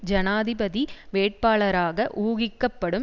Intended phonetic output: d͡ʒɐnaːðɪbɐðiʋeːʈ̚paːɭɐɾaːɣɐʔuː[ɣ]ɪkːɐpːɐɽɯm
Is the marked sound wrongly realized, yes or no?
no